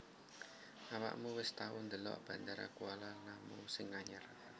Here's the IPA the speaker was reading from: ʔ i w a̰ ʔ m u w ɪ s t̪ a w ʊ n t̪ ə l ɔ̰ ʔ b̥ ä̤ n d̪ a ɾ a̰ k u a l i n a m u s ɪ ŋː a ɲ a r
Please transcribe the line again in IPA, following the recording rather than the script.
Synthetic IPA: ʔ a w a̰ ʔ m u w ɪ s t̪ a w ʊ n d̪ ə l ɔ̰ ʔ b̥ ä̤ n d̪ a ɾ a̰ k u a l a n a m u s ɪ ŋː a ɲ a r